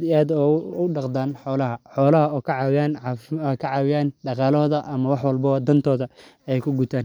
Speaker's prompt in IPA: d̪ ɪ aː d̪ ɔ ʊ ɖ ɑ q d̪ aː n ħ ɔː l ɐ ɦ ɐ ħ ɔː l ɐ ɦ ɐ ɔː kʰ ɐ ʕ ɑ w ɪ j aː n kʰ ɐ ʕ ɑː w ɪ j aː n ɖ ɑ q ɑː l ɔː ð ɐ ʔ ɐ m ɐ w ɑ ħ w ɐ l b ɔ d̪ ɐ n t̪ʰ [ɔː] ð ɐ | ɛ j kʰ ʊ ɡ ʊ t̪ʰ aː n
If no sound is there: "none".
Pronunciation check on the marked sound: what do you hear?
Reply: ɔː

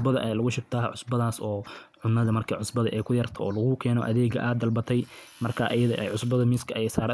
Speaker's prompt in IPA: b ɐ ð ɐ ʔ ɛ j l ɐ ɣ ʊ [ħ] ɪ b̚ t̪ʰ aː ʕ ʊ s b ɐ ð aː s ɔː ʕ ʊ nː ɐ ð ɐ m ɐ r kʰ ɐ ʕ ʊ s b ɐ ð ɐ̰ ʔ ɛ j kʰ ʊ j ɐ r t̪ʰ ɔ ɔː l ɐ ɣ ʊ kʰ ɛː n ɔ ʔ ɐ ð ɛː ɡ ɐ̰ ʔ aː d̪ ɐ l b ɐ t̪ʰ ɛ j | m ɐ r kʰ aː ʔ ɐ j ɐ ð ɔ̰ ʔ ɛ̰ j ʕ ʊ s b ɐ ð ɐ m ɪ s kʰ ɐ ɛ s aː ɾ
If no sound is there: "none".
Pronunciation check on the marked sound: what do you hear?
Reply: ʃ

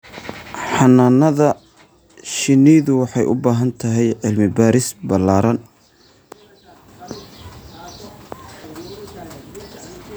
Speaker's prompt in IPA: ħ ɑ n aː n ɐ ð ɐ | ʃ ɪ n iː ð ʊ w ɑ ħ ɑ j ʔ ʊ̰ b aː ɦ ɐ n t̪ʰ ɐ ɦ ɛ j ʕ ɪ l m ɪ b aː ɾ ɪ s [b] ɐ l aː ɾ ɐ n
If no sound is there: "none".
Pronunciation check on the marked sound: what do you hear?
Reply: b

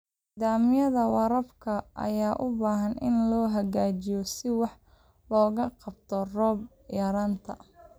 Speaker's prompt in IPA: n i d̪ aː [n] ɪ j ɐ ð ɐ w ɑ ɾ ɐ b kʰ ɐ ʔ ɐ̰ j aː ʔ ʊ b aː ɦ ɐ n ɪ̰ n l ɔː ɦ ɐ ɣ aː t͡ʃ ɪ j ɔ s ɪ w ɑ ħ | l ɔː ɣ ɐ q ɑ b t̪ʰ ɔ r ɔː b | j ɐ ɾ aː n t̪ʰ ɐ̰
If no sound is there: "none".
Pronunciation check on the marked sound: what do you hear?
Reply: m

